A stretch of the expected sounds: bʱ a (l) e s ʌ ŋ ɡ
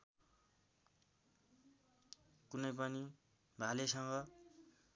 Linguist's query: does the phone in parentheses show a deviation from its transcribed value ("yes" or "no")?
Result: no